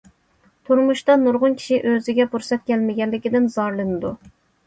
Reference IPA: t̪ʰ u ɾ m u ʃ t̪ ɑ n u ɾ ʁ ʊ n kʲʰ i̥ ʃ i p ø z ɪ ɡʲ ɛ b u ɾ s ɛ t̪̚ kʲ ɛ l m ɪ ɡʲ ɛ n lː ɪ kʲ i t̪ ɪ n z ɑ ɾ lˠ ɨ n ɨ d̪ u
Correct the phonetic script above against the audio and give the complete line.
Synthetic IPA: t̪ʰ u ɾ m u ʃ t̪ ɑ n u ɾ ʁ ʊ n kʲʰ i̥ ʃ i ʔ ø z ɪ ɡʲ ɛ b u ɾ s ɛ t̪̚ kʲ ɛ l m ɪ ɡʲ ɛ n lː ɪ kʲ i d̪ ɪ n z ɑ ɾ lˠ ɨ n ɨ d̪ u